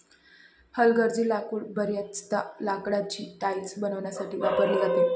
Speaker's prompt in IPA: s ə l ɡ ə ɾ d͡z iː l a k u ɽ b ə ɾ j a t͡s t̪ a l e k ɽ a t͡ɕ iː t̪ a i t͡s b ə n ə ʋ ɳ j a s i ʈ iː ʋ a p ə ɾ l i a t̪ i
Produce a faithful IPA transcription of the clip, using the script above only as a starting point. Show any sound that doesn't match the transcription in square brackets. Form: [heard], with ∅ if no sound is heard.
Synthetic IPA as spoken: [h] ə l ɡ ə ɾ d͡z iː l a k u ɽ b ə ɾ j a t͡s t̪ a l [a] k ɽ a t͡ɕ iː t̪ a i t͡s b ə n ə ʋ ɳ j a s [a] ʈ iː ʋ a p ə ɾ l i a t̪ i